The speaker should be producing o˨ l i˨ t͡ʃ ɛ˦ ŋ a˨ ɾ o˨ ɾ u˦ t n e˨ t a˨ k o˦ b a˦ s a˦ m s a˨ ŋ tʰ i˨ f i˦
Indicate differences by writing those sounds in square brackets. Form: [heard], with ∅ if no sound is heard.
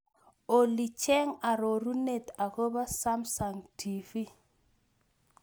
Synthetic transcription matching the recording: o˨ l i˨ t͡ʃ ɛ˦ ŋ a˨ ɾ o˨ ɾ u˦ [∅] n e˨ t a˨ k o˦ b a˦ s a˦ m s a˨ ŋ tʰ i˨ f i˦